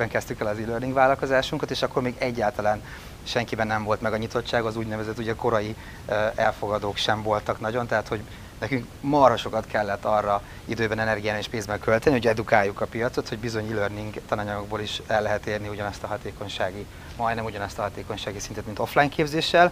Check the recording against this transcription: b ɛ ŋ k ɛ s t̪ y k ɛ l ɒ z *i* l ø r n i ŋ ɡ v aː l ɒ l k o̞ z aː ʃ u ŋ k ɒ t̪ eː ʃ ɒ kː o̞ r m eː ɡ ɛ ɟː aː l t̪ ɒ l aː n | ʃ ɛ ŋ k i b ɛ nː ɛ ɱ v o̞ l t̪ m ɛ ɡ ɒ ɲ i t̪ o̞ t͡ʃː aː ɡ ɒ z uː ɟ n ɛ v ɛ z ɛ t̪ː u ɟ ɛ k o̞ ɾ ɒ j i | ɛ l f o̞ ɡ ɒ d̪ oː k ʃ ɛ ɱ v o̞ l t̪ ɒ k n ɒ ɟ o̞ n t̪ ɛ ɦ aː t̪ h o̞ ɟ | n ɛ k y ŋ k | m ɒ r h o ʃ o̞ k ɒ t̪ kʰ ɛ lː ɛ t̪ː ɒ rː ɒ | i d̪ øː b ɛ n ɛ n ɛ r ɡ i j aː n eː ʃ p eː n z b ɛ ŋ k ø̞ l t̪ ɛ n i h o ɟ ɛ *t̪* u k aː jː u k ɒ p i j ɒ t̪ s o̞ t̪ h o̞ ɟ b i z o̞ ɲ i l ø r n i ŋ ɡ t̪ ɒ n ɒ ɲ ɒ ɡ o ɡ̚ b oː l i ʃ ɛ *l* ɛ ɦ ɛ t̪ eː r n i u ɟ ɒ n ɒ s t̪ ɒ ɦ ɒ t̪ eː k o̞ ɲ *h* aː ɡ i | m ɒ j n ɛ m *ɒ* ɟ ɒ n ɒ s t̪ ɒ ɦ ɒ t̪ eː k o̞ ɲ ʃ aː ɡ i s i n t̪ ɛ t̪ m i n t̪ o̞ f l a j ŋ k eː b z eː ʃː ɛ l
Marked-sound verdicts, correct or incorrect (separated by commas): correct, incorrect, incorrect, incorrect, incorrect